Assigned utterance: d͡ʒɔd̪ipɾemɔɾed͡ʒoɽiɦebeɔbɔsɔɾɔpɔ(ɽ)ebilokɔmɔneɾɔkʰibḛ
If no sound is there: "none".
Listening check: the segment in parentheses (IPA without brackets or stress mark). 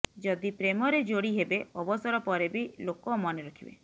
ɾ